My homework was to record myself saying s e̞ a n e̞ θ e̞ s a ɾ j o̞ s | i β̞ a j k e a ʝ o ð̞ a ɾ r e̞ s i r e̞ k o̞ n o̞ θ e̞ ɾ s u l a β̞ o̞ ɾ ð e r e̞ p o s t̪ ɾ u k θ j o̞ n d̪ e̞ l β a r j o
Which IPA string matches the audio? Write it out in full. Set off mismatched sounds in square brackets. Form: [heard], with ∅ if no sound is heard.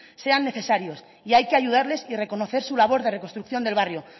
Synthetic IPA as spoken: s e̞ a [nː] e̞ θ e̞ s a ɾ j o̞ s | i [∅] a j k e a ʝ [u] ð̞ a ɾ [l] e̞ s i r e̞ k o̞ n o̞ θ e̞ ɾ s u l a β̞ o̞ ɾ ð e r e̞ [k] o s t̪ ɾ u k θ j o̞ n d̪ e̞ l β a r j o